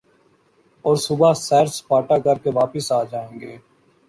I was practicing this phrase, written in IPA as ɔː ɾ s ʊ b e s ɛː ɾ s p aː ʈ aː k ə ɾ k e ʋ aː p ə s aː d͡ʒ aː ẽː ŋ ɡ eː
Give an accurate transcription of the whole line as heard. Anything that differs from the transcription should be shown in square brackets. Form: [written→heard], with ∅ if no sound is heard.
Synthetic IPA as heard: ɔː ɾ s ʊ b [e→a] s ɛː ɾ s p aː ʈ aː k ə ɾ k e ʋ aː p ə s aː d͡ʒ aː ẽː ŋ ɡ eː